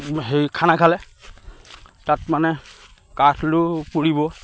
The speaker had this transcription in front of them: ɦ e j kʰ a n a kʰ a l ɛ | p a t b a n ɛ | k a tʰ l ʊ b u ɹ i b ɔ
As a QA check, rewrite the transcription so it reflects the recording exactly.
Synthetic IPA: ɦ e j kʰ a n a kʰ a l ɛ | t a t m a n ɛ | k a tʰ l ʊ p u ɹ i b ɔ